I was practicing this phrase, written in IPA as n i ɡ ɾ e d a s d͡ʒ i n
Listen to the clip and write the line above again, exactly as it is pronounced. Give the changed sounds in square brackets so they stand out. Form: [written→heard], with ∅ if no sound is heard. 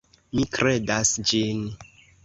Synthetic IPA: [n→m] i [ɡ→k] ɾ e d a s d͡ʒ i n